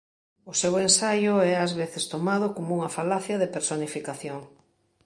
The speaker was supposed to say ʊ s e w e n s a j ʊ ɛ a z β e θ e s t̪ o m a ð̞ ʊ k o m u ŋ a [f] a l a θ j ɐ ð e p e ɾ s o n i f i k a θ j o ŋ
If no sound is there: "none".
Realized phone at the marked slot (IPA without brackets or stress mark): f